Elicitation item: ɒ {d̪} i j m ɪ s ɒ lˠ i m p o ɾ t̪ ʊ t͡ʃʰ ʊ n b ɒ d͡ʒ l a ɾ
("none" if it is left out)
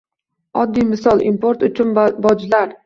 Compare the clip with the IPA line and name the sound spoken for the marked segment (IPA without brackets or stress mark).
d̪ː